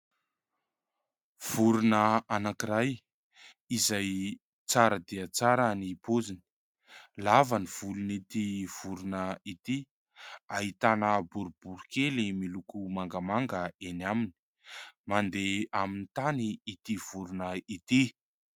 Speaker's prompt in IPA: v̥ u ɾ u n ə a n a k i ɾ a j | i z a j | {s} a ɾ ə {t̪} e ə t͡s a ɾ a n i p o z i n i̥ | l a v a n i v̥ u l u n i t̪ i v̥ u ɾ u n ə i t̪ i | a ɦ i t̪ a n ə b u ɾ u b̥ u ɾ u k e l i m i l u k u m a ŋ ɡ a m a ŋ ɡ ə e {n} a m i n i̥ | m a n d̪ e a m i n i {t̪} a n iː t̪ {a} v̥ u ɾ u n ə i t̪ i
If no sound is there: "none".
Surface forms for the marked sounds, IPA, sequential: t͡s, d̪, n, t̪, i

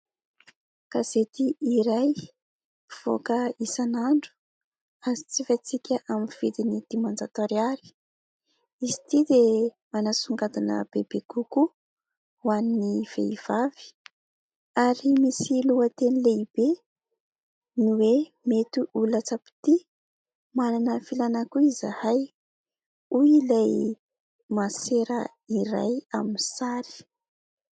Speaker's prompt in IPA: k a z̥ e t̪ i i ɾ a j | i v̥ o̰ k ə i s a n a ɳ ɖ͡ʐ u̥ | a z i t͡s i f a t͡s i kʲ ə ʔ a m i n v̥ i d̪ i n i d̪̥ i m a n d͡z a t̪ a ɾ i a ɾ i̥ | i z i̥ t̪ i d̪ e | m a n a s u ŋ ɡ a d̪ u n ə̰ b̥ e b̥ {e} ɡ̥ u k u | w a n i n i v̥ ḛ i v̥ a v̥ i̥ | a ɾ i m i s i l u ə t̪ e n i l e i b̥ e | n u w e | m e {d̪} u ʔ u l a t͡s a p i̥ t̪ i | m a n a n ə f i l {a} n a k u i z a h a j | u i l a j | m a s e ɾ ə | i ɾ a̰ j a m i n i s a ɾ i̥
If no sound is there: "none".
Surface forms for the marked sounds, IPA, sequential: e, t̪, a

